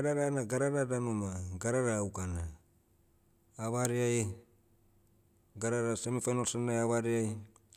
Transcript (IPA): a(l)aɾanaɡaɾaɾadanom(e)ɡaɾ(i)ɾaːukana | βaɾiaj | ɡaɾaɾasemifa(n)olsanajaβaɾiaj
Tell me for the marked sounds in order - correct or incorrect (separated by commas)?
incorrect, incorrect, incorrect, correct